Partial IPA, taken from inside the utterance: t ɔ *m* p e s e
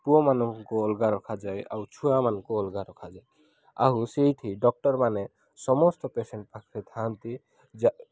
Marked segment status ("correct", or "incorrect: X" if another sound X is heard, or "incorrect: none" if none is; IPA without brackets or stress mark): incorrect: none